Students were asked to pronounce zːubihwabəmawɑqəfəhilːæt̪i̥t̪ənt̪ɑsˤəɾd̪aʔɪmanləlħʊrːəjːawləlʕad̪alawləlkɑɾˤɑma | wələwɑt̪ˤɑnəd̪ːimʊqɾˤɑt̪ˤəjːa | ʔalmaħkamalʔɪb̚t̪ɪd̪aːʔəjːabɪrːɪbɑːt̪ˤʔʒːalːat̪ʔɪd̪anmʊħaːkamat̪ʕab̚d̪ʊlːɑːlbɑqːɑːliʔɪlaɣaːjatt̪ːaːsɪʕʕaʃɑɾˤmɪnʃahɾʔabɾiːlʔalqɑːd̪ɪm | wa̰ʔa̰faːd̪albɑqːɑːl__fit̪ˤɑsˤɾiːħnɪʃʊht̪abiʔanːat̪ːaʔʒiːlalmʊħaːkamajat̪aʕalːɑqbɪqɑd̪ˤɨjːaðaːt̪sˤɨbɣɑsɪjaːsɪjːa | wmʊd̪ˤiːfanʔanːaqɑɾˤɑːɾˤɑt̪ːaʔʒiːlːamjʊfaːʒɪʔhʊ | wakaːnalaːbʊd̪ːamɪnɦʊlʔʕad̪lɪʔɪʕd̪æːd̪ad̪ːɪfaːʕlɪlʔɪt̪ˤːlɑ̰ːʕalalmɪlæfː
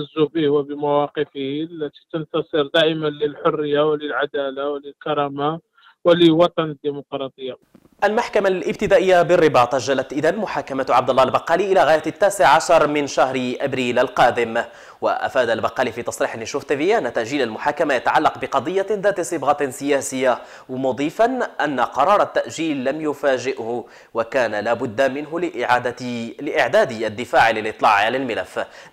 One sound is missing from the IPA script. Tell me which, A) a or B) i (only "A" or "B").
B